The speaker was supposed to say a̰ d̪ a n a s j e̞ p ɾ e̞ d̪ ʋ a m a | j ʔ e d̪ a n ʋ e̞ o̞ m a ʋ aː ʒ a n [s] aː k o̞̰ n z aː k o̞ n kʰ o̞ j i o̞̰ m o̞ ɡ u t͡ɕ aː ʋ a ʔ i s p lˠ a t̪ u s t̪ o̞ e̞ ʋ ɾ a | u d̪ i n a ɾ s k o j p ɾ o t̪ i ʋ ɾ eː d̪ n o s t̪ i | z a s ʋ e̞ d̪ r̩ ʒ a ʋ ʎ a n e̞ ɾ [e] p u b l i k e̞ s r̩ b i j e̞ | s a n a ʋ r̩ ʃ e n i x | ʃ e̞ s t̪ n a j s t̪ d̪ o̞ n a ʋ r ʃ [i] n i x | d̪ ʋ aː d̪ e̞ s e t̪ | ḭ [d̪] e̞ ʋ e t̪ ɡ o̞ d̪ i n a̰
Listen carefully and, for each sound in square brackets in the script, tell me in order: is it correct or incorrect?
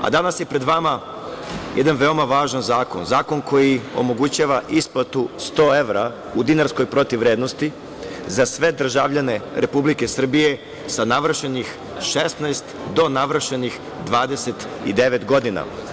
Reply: incorrect: z, correct, incorrect: e, correct

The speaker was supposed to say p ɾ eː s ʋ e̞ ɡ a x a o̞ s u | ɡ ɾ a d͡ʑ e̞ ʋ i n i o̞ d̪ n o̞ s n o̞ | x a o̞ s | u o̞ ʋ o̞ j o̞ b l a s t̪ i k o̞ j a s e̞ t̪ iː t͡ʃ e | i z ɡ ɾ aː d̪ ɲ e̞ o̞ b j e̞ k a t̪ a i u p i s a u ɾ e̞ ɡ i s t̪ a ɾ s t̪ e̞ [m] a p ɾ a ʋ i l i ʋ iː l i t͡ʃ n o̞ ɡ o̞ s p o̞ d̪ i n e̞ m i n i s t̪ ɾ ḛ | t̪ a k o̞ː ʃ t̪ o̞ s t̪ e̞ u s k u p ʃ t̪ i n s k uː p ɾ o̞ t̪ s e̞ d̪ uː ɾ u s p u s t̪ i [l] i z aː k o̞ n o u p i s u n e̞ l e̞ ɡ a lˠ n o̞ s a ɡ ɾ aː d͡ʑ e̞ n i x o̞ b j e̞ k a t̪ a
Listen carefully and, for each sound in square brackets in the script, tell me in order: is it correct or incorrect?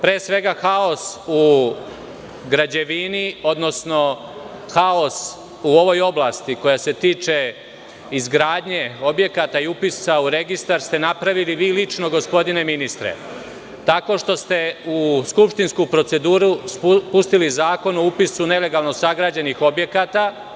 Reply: incorrect: n, correct

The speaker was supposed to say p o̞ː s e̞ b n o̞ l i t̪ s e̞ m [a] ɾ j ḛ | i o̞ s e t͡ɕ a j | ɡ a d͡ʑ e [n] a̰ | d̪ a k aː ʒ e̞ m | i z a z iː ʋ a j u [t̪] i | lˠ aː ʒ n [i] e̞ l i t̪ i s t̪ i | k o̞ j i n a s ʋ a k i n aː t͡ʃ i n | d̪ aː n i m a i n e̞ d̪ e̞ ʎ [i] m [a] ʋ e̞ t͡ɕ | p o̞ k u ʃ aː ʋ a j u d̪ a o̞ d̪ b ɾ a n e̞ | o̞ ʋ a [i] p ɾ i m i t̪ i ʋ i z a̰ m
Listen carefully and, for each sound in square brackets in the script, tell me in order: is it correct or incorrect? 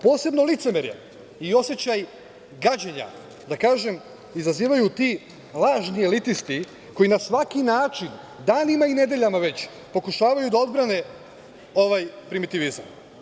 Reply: incorrect: e, incorrect: ɲ, correct, correct, incorrect: a, correct, incorrect: j

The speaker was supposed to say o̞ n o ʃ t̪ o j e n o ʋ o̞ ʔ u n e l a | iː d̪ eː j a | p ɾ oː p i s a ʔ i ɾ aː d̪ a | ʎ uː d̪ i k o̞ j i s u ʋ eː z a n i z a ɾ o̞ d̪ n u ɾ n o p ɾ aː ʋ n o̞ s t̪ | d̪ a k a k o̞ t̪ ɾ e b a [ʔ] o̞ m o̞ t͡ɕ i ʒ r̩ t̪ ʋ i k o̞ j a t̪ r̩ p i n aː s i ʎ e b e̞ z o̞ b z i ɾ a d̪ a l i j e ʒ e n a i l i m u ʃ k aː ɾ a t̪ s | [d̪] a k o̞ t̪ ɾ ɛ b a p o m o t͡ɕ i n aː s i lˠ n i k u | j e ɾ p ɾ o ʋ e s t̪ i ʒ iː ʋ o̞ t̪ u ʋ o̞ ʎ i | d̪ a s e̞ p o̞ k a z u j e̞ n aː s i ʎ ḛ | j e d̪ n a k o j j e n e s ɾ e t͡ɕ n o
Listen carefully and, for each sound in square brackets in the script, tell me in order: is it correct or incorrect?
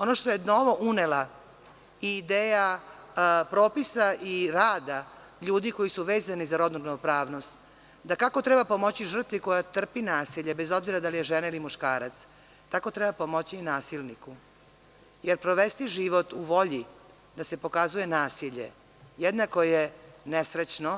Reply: incorrect: p, incorrect: t̪

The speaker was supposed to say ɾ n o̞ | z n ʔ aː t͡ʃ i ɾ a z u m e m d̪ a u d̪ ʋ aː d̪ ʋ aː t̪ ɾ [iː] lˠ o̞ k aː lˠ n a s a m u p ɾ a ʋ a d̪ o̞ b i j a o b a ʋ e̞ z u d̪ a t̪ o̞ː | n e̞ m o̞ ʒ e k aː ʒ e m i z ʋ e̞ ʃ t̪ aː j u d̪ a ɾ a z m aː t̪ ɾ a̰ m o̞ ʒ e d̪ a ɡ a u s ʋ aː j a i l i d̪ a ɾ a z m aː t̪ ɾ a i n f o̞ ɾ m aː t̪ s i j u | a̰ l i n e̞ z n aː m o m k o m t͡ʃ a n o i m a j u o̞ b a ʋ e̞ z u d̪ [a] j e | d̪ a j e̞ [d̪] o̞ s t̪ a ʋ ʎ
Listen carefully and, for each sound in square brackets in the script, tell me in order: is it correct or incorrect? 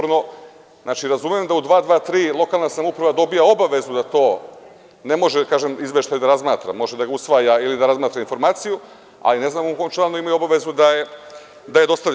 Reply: correct, correct, correct

